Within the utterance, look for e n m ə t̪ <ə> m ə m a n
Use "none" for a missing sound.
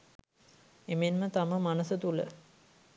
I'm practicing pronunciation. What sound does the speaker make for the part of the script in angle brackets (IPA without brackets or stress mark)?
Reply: a